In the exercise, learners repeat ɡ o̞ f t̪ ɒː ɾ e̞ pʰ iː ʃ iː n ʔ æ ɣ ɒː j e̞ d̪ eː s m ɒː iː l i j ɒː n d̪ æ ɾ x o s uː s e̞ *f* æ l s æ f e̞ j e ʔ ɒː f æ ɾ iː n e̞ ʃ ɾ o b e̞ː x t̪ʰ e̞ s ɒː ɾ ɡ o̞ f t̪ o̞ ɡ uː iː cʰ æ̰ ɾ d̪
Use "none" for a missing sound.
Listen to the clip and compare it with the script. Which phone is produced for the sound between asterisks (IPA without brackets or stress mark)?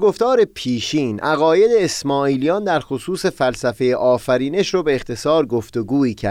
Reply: f